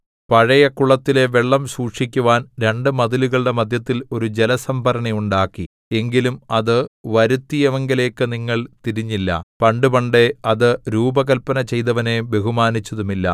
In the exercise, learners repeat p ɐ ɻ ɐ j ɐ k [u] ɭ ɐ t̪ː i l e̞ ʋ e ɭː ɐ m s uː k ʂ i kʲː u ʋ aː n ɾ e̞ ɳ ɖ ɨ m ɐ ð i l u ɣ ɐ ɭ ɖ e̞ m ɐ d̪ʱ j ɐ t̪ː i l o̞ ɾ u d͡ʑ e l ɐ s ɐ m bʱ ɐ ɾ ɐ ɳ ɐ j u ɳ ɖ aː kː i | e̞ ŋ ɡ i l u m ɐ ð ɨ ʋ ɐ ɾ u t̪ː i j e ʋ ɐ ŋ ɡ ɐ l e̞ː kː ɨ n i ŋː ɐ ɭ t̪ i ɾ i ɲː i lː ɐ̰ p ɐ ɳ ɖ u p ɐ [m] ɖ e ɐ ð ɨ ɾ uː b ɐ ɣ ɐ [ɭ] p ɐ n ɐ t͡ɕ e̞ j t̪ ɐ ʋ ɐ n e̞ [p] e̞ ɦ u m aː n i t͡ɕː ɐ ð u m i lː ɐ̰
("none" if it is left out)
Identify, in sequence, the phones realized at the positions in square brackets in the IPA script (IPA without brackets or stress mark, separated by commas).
u, ɳ, l, b